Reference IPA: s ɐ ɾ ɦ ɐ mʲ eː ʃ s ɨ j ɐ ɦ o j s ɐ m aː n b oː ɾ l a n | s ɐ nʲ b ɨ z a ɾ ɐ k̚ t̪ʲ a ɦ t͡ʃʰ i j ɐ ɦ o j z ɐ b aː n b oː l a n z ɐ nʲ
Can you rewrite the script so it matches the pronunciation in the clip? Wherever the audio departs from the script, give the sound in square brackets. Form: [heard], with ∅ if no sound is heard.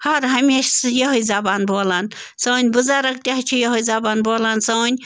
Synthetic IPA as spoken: [h] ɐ ɾ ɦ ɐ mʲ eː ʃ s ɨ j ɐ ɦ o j [z] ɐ [b] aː n b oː [∅] l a n | s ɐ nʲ b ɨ z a ɾ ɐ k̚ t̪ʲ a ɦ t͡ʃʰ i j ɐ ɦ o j z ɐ b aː n b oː l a n [s] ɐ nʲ